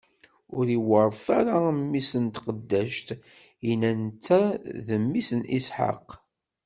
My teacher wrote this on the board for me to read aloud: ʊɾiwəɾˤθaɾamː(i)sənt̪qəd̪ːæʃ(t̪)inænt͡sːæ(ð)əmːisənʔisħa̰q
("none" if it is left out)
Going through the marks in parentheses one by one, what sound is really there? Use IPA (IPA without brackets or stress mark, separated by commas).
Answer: i, t̪, ð